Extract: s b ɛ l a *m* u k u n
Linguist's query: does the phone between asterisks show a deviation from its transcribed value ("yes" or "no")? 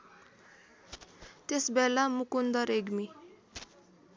no